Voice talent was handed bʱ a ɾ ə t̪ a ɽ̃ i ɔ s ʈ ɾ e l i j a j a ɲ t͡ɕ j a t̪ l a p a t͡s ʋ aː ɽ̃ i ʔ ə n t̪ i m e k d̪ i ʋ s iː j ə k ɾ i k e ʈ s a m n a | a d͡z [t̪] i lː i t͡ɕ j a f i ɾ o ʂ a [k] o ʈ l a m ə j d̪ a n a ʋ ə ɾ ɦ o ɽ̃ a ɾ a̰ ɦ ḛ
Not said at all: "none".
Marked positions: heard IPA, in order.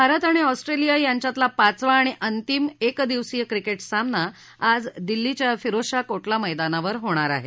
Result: d̪, k

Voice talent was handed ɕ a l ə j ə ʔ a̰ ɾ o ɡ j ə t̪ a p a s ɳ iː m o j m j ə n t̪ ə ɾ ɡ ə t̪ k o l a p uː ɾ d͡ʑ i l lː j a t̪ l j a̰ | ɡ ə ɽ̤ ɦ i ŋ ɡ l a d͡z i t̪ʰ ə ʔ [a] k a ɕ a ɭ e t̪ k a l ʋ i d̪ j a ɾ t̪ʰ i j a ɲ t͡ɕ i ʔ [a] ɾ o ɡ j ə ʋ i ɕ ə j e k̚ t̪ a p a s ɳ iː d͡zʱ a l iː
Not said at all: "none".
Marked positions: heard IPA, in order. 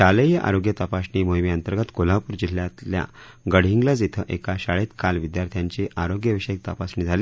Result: e, a

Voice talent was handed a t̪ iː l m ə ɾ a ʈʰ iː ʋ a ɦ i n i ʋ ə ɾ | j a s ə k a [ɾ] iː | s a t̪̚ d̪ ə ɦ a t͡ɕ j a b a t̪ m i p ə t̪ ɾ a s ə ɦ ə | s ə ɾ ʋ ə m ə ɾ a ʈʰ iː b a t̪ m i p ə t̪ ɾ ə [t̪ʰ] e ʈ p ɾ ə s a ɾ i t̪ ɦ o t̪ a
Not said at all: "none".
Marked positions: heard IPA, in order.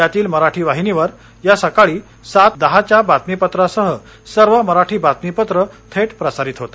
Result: ɭ, t̪ʰ

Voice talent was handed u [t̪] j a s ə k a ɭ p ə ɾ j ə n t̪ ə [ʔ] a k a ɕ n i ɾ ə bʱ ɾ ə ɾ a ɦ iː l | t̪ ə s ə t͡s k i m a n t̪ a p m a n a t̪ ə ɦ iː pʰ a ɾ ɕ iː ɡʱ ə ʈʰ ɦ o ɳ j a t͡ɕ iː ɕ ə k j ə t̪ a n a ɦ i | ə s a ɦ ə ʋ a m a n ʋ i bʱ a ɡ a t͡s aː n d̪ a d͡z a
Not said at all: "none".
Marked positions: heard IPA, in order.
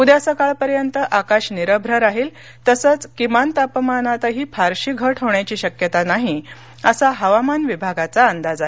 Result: d̪, ʔ

